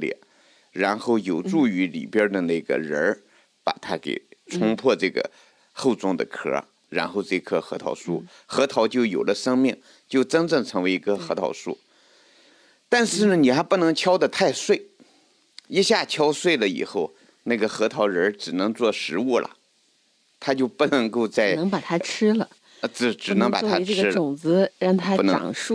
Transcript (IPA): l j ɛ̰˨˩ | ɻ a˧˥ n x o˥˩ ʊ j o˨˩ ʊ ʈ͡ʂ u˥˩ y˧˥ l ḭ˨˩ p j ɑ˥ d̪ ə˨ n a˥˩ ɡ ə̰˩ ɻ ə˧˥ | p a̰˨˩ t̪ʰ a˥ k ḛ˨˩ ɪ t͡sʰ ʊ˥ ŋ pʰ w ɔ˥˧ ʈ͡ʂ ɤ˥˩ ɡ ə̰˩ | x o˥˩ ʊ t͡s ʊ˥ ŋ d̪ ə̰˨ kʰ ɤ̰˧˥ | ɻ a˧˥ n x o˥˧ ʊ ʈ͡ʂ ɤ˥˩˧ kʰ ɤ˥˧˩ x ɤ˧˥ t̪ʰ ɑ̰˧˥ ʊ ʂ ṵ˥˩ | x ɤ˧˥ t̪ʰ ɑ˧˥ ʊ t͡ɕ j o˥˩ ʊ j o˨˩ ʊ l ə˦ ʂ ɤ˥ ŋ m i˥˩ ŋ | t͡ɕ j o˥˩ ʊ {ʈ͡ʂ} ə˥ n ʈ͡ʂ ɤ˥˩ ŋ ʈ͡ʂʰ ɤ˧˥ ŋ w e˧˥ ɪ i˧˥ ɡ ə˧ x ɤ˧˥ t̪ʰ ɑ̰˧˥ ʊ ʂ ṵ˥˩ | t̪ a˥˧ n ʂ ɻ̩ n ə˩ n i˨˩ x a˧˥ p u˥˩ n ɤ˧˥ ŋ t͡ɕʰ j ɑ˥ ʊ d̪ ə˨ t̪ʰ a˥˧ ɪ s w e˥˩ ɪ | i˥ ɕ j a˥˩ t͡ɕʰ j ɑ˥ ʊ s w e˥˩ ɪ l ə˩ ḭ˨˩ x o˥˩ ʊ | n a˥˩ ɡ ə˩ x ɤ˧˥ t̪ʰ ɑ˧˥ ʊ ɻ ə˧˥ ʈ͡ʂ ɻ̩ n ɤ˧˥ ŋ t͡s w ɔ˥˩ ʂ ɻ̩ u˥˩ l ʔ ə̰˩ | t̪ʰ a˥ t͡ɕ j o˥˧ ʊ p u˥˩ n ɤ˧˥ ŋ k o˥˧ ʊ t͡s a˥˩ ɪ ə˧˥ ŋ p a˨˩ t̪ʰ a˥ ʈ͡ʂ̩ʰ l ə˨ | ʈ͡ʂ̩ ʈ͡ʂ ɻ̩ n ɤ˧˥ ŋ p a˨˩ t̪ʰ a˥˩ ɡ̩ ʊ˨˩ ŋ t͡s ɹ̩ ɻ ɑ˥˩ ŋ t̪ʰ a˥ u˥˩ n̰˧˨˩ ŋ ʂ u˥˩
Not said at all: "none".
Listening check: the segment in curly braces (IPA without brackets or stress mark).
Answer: ʈ͡ʂ